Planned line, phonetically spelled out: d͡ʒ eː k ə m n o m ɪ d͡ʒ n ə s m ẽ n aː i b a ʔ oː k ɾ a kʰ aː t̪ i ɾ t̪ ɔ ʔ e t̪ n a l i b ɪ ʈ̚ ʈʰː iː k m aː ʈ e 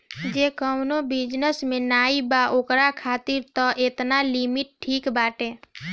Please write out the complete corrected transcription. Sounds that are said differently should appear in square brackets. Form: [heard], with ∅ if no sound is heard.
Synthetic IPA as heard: d͡ʒ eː k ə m n o [b] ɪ d͡ʒ n ə s m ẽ n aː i b a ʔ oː k ɾ a kʰ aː t̪ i ɾ t̪ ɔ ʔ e t̪ n a l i [m] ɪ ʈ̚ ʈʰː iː k [b] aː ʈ e